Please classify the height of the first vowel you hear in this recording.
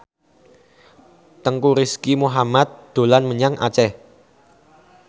mid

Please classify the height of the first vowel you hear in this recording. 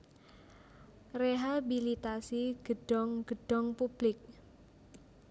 mid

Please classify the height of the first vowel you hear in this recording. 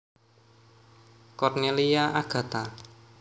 mid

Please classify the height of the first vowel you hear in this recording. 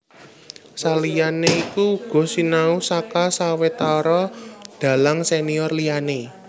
low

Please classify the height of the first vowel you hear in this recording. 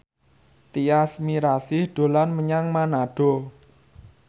high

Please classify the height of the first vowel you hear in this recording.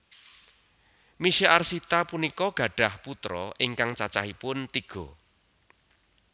high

